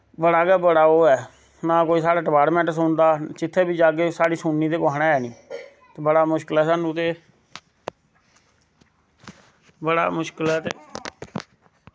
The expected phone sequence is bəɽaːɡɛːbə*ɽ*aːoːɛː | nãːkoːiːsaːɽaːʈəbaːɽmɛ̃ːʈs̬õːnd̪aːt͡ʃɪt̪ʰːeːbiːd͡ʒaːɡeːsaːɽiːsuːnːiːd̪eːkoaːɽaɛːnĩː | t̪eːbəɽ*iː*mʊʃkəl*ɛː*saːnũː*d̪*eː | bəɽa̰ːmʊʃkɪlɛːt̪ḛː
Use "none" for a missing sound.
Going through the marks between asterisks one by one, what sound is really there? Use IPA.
ɽ, aː, ɛː, t̪

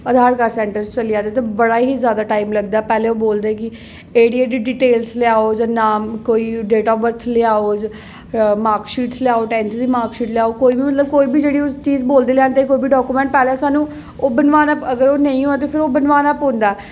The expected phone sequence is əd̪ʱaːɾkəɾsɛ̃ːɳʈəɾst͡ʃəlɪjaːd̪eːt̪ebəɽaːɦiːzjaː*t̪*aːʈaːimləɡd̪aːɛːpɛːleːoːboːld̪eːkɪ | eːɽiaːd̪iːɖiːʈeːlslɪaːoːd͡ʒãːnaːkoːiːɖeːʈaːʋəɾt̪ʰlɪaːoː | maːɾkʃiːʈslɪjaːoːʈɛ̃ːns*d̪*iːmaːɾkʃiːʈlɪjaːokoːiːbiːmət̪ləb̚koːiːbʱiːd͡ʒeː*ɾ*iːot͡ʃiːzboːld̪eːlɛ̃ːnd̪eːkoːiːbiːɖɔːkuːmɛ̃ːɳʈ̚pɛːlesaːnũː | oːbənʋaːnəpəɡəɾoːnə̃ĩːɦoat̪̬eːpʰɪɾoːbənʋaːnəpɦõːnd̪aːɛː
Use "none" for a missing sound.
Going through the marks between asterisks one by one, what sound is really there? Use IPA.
d̪, d̪, ɽ

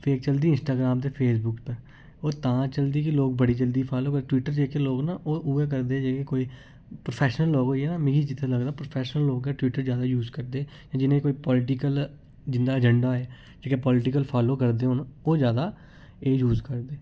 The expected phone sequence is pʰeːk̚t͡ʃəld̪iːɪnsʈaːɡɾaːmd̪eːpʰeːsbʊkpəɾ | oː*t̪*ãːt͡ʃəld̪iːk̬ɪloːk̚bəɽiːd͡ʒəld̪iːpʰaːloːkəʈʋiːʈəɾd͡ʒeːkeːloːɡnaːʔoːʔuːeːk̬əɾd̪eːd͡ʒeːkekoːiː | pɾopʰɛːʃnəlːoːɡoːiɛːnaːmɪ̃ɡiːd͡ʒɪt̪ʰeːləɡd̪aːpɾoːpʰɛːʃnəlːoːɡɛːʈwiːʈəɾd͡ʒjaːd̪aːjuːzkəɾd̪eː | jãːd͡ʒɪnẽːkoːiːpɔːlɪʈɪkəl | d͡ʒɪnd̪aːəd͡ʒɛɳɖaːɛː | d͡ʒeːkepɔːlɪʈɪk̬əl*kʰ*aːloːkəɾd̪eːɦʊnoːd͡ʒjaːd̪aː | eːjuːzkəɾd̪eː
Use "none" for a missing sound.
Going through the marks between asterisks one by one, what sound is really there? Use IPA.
t̪, pʰ

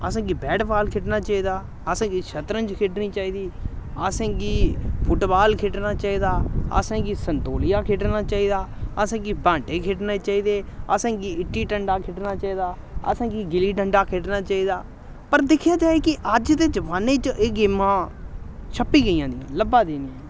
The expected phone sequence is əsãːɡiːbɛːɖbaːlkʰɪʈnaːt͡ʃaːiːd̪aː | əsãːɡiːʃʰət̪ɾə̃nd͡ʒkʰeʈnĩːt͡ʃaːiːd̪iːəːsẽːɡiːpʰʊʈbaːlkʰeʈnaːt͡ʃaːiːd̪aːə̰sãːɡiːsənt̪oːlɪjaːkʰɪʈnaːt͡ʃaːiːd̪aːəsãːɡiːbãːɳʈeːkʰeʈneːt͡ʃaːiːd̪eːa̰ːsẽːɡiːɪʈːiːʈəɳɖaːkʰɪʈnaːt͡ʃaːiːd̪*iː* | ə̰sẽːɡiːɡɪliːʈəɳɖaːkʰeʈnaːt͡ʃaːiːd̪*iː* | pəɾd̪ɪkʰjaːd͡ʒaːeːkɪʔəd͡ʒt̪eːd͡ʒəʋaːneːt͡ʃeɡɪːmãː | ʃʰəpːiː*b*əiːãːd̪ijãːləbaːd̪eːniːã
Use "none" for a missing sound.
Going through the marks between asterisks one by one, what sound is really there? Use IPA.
aː, aː, ɡ

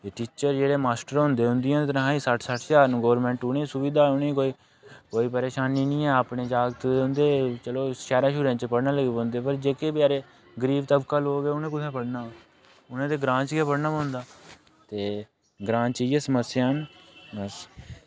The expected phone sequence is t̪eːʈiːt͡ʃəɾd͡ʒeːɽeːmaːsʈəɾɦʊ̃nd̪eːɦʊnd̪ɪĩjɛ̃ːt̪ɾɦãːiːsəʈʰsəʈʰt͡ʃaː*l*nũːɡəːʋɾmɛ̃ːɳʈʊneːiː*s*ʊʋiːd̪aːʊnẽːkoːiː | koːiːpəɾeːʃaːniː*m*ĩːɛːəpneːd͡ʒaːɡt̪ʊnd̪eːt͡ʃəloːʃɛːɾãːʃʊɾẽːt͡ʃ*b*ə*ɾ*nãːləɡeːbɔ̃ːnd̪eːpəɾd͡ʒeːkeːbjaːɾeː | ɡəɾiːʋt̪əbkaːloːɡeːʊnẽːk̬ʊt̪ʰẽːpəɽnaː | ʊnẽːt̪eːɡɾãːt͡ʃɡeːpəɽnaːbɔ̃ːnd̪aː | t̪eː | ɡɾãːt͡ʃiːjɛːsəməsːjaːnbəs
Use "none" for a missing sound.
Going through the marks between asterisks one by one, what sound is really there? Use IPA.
ɾ, s, n, p, ɽ

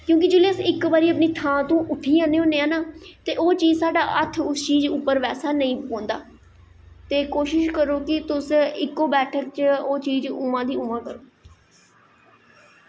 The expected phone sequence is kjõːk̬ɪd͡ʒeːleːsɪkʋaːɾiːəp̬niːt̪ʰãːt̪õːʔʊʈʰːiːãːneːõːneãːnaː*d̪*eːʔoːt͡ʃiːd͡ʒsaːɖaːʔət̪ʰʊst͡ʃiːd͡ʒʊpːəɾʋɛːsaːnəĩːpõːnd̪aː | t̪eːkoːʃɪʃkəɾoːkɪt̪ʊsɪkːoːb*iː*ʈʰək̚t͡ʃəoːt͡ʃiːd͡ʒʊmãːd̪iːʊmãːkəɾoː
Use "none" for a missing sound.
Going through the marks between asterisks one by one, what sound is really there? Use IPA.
t̪, ɛː

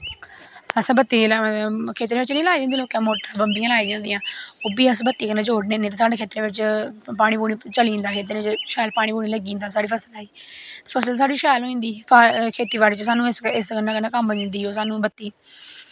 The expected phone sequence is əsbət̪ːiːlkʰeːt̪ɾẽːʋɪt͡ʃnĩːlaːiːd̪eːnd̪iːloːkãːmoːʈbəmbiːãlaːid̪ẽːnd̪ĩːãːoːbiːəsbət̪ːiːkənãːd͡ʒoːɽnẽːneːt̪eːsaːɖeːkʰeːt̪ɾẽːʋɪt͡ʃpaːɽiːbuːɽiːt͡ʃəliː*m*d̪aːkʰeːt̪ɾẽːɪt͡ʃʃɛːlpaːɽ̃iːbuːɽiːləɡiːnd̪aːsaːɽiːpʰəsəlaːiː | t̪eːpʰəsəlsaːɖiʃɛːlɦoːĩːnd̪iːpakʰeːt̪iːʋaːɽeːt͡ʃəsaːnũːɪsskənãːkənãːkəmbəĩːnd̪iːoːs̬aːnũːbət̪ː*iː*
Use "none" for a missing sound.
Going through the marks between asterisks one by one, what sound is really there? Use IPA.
n, iː

